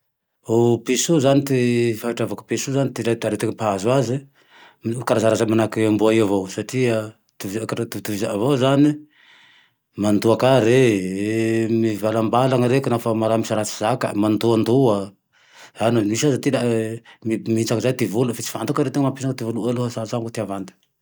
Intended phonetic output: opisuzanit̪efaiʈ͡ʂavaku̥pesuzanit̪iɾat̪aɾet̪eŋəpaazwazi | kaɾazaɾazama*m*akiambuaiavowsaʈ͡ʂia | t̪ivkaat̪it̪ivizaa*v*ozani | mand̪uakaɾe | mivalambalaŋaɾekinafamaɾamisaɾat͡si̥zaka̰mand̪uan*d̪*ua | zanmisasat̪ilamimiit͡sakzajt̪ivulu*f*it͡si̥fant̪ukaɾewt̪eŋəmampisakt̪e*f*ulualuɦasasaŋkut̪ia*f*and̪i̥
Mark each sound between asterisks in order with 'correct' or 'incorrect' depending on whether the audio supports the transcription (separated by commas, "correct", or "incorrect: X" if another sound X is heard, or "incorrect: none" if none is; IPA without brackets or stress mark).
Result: incorrect: n, correct, correct, correct, incorrect: v, incorrect: v